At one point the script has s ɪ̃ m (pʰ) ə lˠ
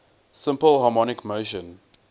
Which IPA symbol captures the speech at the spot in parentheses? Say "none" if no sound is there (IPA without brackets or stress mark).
p